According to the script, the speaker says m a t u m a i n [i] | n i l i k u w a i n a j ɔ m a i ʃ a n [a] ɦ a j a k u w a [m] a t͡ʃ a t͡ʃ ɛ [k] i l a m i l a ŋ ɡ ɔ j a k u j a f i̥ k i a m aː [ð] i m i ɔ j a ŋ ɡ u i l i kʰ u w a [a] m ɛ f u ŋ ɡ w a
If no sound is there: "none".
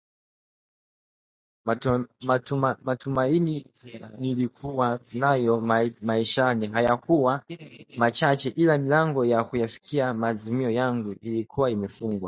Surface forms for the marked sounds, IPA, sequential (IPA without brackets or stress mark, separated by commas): i, i, m, ʔ, z, i